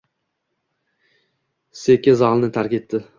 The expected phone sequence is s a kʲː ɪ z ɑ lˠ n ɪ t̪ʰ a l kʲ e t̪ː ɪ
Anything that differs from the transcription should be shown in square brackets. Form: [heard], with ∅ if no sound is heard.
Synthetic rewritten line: s [e] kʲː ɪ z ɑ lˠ n ɪ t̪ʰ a [ɾ] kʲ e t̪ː ɪ